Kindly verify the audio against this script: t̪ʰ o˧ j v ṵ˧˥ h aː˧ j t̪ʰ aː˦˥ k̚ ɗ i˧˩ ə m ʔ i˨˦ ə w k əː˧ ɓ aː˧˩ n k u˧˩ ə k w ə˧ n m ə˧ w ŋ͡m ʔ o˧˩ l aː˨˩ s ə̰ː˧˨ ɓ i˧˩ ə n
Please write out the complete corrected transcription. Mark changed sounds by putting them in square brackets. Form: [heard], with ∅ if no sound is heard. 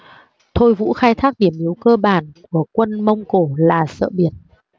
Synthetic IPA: t̪ʰ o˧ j v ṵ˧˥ [x] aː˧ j t̪ʰ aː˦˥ k̚ ɗ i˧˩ ə m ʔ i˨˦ ə w k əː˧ ɓ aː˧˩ n k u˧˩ ə k w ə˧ n m ə˧ w ŋ͡m [k] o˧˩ l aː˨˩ s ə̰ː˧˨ ɓ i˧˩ ə n